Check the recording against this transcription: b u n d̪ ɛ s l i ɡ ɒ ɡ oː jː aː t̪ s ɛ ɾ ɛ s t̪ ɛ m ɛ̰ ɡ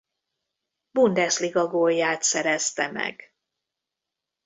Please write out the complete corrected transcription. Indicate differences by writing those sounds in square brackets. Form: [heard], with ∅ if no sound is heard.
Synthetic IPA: b u n d̪ ɛ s l i ɡ ɒ ɡ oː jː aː t̪ s ɛ ɾ ɛ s t̪ ɛ m ɛ̰ ɡ

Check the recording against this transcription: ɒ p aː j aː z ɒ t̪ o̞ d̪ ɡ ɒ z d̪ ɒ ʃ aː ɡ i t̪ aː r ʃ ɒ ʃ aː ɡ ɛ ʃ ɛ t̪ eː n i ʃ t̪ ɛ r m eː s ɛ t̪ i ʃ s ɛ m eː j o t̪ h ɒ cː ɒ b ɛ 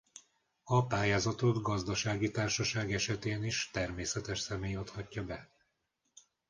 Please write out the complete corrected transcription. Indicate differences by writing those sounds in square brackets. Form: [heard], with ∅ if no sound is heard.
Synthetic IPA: ɒ p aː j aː z ɒ t̪ o̞ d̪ ɡ ɒ z d̪ ɒ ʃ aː ɡ i t̪ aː r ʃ ɒ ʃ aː ɡ ɛ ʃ ɛ t̪ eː n i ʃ t̪ ɛ r m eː s ɛ t̪ [ɛ] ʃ s ɛ m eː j o t̪ h ɒ cː ɒ b ɛ

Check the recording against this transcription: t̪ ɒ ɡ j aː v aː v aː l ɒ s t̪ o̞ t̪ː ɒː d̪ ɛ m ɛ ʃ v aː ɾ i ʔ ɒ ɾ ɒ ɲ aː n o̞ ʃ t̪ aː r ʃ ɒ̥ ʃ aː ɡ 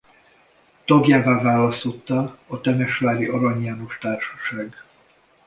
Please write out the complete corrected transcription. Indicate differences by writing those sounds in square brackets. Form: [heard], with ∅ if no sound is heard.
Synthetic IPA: t̪ ɒ ɡ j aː v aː v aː l ɒ s t̪ o̞ t̪ː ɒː [t̪] ɛ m ɛ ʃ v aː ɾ i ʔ ɒ ɾ ɒ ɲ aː n o̞ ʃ t̪ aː r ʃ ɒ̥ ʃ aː ɡ

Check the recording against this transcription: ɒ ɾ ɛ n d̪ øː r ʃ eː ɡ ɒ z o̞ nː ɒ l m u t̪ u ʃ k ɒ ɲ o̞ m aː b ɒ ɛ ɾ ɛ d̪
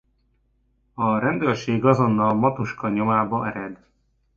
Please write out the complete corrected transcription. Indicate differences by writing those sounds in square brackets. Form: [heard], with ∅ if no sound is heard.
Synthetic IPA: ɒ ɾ ɛ n d̪ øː r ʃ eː ɡ ɒ z o̞ nː ɒ l m [ɒ] t̪ u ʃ k ɒ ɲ o̞ m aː b ɒ ɛ ɾ ɛ d̪

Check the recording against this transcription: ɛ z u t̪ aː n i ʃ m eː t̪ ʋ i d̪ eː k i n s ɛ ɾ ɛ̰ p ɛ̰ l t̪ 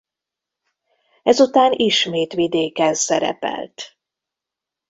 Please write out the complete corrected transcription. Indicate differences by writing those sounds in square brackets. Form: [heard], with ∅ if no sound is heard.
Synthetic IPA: ɛ z u t̪ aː n i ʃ m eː t̪ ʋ i d̪ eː k [ɛ] n s ɛ ɾ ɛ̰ p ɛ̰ l t̪

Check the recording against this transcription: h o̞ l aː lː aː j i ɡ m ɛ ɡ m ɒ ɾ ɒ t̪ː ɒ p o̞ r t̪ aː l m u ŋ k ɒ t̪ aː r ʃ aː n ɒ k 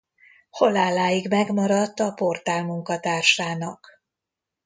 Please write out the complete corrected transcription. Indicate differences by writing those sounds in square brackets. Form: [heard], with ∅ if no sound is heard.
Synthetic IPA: h o̞ l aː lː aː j i ɡ m ɛ ɡ m ɒ ɾ ɒ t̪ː ɒ p o̞ r t̪ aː l m u ŋ k ɒ t̪ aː r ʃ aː n ɒ k

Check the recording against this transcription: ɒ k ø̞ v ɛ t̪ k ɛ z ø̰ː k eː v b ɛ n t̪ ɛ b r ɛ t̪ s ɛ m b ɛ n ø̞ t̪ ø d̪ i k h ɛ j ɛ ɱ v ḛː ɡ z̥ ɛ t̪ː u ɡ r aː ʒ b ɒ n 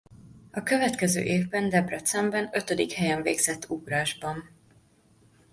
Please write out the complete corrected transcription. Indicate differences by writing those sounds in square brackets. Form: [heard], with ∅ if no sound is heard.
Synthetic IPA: ɒ k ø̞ v ɛ t̪ k ɛ z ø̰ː [ʔ] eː v b ɛ n [d̪] ɛ b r ɛ t̪ s ɛ m b ɛ n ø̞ t̪ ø d̪ i k h ɛ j ɛ ɱ v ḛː ɡ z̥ ɛ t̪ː u ɡ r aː ʒ b ɒ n

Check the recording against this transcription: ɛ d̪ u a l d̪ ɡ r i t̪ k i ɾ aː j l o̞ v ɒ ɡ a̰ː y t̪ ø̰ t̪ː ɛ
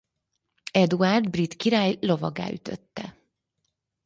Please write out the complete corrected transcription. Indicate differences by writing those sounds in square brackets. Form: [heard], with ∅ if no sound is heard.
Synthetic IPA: ɛ d̪ u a [r] d̪ [b] r i t̪ k i ɾ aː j l o̞ v ɒ ɡ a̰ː y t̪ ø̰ t̪ː ɛ

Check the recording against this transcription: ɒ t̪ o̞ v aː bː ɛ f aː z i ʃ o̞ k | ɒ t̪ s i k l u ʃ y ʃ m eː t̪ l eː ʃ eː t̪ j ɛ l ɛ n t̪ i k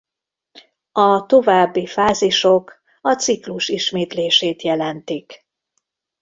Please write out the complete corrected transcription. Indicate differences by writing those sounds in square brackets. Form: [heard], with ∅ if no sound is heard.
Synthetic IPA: ɒ t̪ o̞ v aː bː [i] f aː z i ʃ o̞ k | ɒ t̪ s i k l u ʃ [i] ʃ m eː t̪ l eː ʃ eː t̪ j ɛ l ɛ n t̪ i k

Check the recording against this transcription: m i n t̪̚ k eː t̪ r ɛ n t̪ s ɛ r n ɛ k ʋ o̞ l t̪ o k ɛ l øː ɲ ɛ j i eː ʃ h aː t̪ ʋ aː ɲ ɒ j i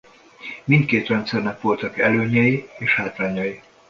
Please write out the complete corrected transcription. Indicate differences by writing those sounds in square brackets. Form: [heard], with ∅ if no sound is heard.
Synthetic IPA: m i n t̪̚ k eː t̪ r ɛ n t̪ s ɛ r n ɛ k ʋ o̞ l t̪ [ɒ] k ɛ l øː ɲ ɛ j i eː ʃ h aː t̪ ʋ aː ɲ ɒ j i

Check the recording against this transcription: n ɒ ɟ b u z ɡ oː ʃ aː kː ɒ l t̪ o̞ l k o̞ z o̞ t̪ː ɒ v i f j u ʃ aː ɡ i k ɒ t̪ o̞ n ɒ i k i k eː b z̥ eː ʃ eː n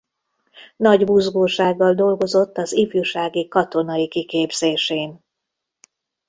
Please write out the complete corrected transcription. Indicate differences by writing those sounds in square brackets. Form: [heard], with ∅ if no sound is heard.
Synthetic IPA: n ɒ ɟ b u z ɡ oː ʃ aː [ɡː] ɒ l [d̪] o̞ l [ɡ] o̞ z o̞ t̪ː ɒ [z] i f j u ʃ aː ɡ i k ɒ t̪ o̞ n ɒ i k i k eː b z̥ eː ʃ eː n

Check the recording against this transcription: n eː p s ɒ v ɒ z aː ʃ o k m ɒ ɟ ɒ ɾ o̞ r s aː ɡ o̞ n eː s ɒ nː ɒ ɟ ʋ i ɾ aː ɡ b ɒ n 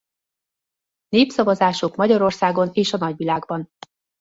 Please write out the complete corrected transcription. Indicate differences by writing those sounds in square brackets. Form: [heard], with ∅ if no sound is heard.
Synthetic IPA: n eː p s ɒ v ɒ z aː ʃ o k m ɒ ɟ ɒ ɾ o̞ r s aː ɡ o̞ n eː [ʃ] ɒ [n] ɒ ɟ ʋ i [l] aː ɡ b ɒ n

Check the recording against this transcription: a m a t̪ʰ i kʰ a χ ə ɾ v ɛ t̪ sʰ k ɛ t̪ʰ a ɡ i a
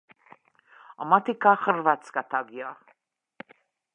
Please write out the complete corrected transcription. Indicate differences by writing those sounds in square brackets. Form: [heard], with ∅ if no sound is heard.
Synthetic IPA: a m a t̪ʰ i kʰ a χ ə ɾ v [a] t̪ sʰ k [a] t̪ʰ a ɡ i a

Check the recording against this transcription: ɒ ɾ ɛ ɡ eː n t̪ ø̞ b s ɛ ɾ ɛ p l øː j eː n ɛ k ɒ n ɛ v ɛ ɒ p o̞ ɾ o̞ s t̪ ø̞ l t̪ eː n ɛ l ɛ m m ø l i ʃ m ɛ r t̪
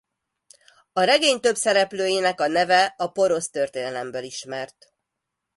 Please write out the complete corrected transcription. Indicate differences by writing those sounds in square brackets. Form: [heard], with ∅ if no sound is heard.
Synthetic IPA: ɒ ɾ ɛ ɡ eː [ɲ] t̪ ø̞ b s ɛ ɾ ɛ p l øː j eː n ɛ k ɒ n ɛ v ɛ ɒ p o̞ ɾ o̞ s t̪ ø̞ [r] t̪ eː n ɛ l ɛ m [b] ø l i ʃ m ɛ r t̪

